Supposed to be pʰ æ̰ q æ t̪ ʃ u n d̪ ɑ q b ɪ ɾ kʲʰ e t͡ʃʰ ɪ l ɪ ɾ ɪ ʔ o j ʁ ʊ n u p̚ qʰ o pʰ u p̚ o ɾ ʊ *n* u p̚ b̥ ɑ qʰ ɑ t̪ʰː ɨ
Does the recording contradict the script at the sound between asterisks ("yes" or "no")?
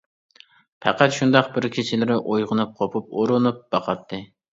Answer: no